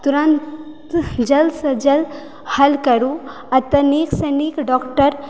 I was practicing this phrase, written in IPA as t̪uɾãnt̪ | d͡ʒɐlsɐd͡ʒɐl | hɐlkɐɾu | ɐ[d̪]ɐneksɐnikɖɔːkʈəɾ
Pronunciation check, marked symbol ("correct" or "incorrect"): incorrect